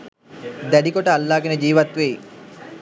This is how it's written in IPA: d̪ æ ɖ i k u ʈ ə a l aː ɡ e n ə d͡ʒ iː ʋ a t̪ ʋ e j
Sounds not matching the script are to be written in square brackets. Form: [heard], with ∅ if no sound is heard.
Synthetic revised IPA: d̪ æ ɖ i k [o] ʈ ə a [lː] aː ɡ e n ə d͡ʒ iː ʋ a t̪ ʋ e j